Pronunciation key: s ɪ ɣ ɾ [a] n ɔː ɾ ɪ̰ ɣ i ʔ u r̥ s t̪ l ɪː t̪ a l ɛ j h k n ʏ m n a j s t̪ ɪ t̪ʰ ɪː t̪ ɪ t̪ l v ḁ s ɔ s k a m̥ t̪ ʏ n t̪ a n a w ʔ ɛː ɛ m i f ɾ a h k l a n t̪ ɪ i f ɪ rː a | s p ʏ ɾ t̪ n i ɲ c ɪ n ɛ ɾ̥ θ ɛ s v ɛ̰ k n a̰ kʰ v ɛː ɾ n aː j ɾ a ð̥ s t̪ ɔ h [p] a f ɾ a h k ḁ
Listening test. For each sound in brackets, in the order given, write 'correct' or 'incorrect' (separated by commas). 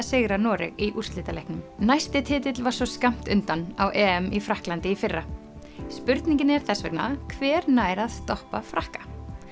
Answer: correct, correct